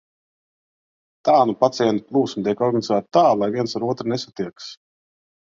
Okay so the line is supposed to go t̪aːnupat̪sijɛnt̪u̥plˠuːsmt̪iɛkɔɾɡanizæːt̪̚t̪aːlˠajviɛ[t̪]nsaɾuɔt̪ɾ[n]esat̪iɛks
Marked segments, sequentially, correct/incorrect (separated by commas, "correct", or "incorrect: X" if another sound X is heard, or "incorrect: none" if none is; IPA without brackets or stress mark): incorrect: none, correct